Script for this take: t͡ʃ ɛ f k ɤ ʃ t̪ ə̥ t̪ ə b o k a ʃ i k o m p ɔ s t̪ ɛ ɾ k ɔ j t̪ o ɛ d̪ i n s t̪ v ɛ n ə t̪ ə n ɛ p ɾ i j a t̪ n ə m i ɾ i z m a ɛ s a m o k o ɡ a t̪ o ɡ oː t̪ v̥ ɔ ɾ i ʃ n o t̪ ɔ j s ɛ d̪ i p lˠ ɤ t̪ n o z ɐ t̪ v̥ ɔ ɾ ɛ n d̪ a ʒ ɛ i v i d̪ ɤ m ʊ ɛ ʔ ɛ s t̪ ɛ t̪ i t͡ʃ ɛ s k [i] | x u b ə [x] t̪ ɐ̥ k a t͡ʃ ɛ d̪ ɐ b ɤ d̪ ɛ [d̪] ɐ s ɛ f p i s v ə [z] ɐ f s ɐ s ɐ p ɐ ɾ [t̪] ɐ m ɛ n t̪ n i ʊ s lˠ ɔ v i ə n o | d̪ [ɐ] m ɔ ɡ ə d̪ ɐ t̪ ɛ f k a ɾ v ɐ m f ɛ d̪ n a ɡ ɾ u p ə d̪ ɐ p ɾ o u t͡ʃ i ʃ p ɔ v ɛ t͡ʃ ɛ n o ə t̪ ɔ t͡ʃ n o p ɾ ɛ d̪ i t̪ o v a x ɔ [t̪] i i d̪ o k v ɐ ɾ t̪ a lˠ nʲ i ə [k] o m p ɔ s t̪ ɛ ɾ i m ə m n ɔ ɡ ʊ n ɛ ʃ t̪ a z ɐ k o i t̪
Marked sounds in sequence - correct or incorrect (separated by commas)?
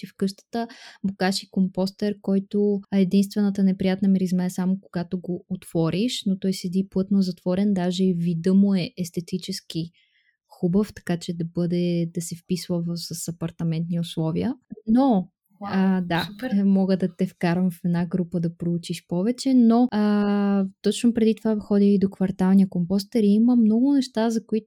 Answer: correct, incorrect, correct, incorrect, correct, incorrect, incorrect, correct